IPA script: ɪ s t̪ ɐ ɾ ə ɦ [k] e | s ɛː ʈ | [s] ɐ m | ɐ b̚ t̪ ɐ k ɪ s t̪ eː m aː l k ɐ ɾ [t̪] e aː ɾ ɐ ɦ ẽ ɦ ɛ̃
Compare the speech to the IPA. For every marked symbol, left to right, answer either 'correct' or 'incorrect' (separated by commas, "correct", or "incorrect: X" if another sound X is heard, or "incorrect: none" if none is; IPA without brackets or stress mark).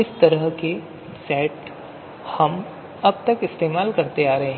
correct, incorrect: h, correct